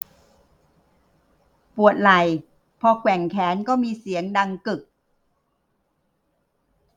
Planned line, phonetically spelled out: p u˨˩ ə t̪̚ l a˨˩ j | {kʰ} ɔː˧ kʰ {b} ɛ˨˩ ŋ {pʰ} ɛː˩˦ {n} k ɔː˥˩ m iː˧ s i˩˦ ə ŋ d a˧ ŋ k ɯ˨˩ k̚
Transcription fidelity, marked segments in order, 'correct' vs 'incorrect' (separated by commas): incorrect, incorrect, incorrect, correct